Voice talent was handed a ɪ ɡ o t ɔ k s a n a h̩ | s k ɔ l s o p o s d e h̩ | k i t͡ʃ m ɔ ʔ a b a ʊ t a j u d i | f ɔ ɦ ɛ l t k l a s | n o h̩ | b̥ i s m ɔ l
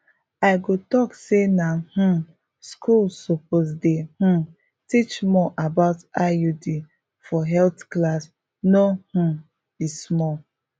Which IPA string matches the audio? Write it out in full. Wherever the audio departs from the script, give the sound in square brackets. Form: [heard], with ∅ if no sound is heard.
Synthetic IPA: a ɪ ɡ o t ɔ k s [e] n a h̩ | s k [u] l s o p o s d e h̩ | [t] i t͡ʃ m ɔ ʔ a b a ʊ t a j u d i | f ɔ ɦ ɛ l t k l a s | n o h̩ | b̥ i s m ɔ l